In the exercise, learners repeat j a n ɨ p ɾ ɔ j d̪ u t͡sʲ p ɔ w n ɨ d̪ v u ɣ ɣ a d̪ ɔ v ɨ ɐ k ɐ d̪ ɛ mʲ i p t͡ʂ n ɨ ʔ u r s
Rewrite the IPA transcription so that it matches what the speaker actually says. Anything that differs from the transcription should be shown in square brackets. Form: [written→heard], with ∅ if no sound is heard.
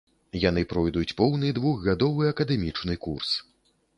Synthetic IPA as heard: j a n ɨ p ɾ ɔ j d̪ u t͡sʲ p ɔ w n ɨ d̪ v u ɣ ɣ a d̪ ɔ v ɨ ɐ k ɐ d̪ ɛ mʲ i [p→∅] t͡ʂ n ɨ [ʔ→k] u r s